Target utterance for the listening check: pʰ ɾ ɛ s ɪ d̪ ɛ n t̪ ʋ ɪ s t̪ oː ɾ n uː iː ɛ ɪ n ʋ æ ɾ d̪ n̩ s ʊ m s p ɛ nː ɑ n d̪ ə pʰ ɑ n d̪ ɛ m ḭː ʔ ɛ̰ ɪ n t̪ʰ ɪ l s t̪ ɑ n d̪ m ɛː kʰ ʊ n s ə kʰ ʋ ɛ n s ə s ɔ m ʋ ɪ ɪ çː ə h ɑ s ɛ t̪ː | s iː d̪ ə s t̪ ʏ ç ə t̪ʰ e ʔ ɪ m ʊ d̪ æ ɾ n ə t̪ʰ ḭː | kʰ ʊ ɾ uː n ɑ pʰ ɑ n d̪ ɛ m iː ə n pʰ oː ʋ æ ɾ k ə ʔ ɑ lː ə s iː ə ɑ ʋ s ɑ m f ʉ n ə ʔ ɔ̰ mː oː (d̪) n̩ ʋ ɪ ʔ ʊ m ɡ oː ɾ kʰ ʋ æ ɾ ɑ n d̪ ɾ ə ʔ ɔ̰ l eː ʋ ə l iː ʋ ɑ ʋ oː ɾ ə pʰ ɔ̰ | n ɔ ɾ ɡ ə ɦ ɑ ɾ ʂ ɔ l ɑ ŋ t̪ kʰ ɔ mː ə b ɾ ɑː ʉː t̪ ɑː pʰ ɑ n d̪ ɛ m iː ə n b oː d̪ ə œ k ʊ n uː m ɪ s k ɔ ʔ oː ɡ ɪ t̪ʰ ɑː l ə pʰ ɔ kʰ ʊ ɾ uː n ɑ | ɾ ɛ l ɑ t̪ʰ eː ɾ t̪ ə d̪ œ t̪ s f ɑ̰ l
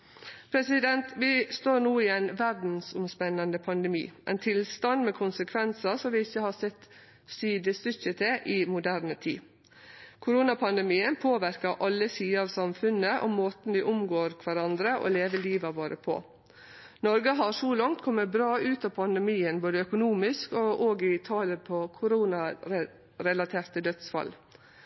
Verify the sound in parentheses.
incorrect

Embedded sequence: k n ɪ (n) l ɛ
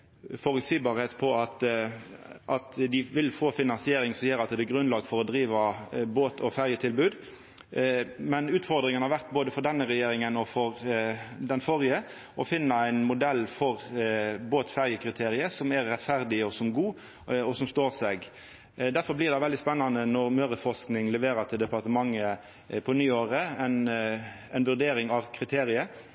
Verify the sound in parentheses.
incorrect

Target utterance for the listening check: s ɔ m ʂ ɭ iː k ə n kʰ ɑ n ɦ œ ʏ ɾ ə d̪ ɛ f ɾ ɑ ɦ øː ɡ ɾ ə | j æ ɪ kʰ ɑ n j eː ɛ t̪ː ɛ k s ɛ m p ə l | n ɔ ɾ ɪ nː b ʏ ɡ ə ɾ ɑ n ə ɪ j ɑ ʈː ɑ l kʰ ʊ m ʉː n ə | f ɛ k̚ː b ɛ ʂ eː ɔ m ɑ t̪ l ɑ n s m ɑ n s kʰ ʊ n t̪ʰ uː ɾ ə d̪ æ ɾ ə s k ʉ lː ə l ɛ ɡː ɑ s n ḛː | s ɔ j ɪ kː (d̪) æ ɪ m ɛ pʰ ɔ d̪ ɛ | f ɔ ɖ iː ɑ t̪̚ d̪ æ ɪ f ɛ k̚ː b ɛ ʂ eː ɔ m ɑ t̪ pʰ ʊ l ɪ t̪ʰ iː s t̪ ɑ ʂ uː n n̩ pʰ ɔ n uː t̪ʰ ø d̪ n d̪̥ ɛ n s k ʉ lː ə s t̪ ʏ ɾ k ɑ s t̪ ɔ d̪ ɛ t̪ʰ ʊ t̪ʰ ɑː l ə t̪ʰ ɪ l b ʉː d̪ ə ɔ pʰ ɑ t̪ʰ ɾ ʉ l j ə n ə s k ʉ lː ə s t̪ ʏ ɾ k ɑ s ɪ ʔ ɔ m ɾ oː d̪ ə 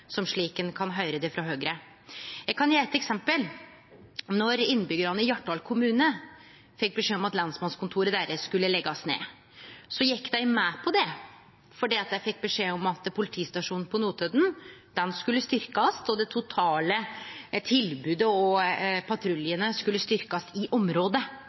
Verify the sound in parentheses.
correct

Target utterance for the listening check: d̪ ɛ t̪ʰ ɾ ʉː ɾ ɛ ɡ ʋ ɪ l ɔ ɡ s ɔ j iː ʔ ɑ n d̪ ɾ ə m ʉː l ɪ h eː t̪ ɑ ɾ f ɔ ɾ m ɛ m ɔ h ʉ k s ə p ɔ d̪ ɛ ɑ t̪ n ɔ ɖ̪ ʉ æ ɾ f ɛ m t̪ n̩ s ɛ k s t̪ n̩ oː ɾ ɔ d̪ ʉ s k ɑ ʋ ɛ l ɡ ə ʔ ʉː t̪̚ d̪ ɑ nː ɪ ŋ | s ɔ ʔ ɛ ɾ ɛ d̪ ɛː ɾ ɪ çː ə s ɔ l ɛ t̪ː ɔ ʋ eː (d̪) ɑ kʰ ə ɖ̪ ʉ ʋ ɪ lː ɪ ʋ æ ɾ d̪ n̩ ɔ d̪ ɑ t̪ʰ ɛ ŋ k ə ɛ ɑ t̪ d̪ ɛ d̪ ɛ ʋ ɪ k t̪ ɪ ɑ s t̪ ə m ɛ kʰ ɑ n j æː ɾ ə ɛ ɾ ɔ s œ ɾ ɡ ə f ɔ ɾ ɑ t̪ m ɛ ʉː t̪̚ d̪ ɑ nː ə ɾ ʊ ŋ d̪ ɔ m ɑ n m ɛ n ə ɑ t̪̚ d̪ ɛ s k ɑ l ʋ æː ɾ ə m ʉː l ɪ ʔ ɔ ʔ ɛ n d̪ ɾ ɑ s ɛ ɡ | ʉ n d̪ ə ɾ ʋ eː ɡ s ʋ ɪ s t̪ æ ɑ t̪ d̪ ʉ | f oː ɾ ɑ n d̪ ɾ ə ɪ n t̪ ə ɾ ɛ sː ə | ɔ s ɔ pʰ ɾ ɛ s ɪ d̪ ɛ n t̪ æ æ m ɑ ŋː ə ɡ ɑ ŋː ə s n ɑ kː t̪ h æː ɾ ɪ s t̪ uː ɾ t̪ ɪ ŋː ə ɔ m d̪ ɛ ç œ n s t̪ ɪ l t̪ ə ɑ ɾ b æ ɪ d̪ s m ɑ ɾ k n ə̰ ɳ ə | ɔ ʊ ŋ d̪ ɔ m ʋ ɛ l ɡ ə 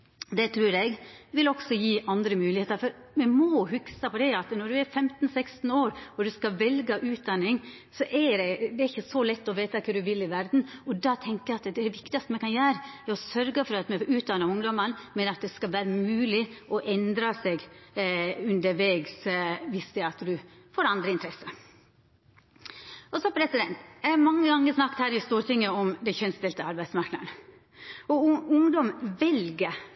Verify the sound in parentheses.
incorrect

